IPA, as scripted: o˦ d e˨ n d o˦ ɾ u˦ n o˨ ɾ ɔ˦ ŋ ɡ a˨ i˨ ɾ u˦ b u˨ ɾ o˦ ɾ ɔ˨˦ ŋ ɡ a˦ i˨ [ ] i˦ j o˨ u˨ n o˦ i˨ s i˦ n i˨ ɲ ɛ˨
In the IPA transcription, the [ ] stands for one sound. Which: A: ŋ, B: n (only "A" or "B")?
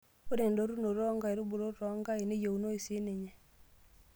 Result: B